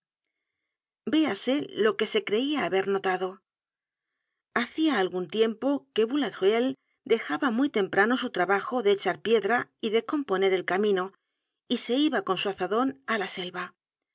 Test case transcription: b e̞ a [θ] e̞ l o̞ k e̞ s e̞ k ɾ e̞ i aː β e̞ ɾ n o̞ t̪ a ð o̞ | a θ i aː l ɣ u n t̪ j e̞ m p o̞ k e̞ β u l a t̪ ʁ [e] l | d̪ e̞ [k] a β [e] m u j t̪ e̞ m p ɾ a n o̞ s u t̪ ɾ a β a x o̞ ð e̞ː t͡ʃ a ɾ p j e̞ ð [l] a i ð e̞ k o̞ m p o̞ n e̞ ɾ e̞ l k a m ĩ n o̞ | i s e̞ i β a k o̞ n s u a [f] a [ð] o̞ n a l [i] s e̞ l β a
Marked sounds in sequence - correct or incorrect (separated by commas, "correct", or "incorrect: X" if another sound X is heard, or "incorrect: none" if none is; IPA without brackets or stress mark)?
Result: incorrect: s, correct, incorrect: x, incorrect: a, incorrect: ɾ, incorrect: θ, correct, incorrect: a